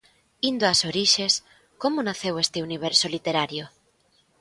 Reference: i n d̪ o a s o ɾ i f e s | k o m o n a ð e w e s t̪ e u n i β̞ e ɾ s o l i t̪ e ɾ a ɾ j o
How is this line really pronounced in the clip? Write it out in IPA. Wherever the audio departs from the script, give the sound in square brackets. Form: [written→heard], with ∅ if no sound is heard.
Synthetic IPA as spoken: i n d̪ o a s o ɾ i [f→ʃ] e s | k o m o n a [ð→θ] e w e s t̪ e u n i β̞ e ɾ s o l i t̪ e ɾ a ɾ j o